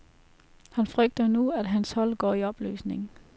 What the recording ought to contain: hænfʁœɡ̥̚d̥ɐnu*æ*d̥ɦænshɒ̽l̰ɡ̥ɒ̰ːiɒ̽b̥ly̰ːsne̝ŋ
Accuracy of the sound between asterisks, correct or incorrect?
correct